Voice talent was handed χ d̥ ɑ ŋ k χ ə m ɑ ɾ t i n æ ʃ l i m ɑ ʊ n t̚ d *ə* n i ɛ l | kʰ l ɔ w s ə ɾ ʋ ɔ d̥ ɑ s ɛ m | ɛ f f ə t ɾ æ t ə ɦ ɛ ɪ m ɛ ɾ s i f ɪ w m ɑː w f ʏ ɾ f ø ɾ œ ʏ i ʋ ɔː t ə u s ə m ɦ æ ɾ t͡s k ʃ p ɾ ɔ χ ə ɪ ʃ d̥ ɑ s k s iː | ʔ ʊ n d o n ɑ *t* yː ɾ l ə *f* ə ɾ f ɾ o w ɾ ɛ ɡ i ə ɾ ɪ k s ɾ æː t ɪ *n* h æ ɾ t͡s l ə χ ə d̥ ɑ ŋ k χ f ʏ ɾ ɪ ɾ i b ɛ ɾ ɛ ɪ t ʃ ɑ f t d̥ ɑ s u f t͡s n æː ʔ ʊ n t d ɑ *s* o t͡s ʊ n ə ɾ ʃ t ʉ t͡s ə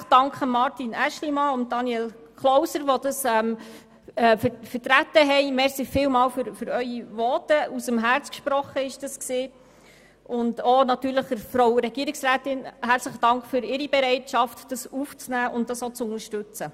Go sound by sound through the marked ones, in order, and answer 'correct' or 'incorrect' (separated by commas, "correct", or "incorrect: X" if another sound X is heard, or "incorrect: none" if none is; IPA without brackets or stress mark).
incorrect: ɑ, correct, incorrect: χ, correct, correct